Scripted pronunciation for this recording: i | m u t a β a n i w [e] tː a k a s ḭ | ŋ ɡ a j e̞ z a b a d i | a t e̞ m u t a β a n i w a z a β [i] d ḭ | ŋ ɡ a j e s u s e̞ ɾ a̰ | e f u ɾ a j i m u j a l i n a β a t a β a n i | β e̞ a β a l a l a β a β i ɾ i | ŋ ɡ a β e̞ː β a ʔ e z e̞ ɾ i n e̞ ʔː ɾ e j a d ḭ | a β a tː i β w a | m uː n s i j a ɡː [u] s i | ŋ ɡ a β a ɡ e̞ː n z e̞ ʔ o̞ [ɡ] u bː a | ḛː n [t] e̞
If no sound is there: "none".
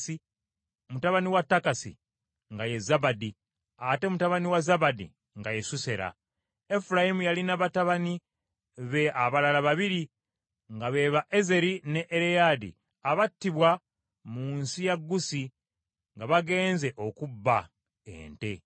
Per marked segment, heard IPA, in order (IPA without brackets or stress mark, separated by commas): a, a, u, k, t